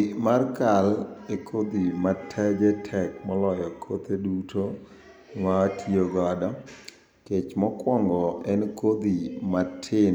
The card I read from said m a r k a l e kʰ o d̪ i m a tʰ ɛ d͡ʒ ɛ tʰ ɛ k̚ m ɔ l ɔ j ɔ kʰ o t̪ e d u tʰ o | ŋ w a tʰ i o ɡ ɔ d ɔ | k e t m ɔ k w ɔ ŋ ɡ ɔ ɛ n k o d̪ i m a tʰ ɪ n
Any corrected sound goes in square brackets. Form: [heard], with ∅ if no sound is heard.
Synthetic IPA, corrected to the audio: m a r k a l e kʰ o d̪ i m a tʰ ɛ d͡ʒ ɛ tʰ ɛ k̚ m ɔ l ɔ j ɔ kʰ o t̪ e d u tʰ o | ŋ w a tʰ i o ɡ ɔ d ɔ | k e [t͡ʃ] m ɔ k w ɔ ŋ ɡ ɔ ɛ n k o d̪ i m a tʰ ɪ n